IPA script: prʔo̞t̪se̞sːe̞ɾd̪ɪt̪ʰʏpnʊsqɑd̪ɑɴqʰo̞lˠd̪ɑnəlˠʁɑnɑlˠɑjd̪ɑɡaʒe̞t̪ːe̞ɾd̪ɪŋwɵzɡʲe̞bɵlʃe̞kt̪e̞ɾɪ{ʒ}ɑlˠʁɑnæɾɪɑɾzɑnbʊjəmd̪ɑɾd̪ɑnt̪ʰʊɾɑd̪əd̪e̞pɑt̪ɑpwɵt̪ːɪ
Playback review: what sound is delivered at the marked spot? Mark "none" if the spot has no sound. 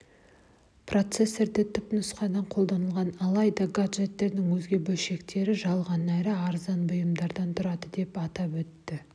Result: ʒ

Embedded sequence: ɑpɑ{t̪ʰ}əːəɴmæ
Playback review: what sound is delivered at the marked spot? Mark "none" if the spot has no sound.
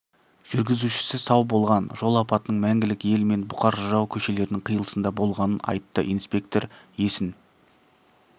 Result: t̪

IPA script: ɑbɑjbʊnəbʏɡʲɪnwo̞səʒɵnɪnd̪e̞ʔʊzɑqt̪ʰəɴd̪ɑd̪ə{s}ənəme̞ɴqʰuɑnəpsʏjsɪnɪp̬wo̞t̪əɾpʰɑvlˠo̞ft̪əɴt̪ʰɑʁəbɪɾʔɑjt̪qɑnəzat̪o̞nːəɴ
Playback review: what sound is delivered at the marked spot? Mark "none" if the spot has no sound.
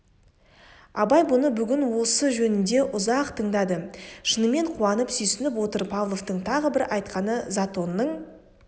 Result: ʃ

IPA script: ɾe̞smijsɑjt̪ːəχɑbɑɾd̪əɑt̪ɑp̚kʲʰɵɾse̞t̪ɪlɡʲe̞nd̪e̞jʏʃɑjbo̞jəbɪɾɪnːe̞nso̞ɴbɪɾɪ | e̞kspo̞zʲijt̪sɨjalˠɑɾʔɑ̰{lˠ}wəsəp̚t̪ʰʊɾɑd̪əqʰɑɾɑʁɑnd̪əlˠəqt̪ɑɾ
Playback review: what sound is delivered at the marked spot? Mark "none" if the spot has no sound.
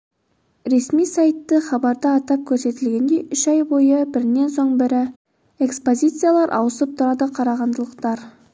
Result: none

